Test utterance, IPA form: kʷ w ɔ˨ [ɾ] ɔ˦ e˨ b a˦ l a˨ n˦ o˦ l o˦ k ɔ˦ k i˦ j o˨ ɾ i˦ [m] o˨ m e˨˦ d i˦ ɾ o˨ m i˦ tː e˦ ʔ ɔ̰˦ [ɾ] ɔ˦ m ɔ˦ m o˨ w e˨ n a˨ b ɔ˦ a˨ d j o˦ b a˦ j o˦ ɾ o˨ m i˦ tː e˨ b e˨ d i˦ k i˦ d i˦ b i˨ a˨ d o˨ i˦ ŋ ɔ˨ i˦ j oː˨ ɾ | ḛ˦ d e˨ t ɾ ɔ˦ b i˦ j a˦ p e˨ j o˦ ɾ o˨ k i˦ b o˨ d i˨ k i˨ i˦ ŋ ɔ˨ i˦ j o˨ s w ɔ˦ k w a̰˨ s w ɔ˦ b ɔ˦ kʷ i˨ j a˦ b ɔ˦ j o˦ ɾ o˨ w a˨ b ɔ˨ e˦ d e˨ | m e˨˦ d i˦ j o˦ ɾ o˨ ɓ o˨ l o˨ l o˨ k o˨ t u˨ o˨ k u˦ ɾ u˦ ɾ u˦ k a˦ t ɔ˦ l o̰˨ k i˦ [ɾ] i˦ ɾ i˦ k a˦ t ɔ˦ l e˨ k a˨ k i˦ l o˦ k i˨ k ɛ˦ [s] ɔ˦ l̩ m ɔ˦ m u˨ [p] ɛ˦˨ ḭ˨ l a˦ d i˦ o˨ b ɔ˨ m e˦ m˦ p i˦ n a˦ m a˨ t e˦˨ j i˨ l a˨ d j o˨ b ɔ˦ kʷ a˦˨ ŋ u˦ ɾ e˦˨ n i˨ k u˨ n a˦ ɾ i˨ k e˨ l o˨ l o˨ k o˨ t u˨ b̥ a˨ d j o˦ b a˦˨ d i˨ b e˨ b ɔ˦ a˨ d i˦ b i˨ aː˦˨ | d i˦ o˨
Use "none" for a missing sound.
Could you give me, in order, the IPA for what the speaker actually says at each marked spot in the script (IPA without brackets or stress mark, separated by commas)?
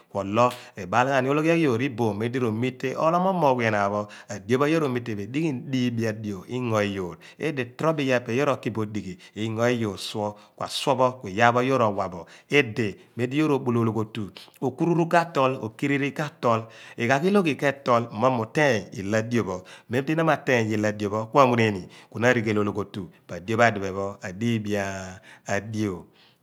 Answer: l, b, l, ɾ, t, t